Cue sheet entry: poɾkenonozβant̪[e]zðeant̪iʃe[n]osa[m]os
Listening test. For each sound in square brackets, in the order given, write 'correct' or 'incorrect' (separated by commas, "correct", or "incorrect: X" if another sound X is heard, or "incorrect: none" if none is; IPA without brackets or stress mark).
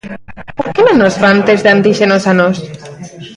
correct, correct, incorrect: n